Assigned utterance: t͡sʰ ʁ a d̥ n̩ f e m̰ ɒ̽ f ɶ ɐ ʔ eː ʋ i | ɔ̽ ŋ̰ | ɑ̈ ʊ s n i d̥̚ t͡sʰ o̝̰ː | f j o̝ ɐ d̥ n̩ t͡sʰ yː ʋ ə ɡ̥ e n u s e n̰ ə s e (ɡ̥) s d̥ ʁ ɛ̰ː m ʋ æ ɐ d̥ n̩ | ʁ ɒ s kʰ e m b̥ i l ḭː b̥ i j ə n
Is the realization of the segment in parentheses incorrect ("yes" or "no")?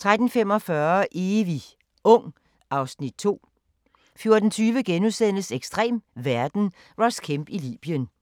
no